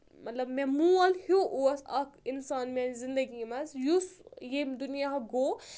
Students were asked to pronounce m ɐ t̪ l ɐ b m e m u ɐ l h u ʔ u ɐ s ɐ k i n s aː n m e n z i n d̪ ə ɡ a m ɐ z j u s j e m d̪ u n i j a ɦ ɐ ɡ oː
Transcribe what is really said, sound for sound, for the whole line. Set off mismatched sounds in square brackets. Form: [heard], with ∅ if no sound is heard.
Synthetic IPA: m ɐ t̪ l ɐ b m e m u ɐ l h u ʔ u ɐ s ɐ k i n s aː n m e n z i n d̪ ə ɡ [i] m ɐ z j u s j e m d̪ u n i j a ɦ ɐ ɡ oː